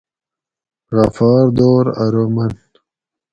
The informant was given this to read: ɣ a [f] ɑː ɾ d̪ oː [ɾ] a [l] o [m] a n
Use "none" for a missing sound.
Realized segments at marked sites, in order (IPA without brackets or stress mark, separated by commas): f, ɾ, ɾ, m